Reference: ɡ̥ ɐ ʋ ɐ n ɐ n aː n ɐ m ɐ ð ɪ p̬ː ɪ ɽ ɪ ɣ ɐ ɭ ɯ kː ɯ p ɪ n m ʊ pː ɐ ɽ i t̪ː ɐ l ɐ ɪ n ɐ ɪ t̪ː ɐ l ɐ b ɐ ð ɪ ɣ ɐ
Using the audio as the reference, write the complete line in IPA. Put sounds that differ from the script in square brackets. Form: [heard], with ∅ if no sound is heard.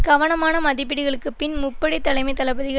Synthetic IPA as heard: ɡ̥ ɐ ʋ ɐ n ɐ [m] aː n ɐ m ɐ ð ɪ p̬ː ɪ ɽ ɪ ɣ ɐ ɭ ɯ kː ɯ p ɪ n m ʊ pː ɐ ɽ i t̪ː ɐ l ɐ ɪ [m] ɐ ɪ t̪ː ɐ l ɐ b ɐ ð ɪ ɣ ɐ